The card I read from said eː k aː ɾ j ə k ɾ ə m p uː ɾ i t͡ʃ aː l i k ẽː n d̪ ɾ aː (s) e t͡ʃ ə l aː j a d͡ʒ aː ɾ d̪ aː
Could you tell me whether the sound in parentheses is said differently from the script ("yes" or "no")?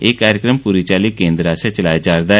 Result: no